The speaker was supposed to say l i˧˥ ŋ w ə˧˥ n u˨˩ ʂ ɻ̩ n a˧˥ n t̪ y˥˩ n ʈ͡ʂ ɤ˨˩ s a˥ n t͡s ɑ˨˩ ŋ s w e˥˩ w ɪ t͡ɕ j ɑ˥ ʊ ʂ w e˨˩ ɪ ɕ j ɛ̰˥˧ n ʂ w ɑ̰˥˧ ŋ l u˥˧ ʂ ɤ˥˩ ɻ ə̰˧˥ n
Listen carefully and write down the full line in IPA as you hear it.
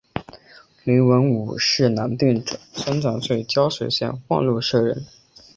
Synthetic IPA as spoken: l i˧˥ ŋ w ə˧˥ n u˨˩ ʂ ɻ̩ n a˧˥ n t̪ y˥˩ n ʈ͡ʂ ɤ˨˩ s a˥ n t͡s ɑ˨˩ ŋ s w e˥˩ ɪ t͡ɕ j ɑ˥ ʊ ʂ w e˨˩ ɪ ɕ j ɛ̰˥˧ n x w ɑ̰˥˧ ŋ l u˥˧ ʂ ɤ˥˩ ɻ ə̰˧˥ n